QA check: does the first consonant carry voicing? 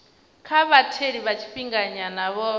no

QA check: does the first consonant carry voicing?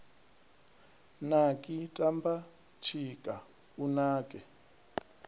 yes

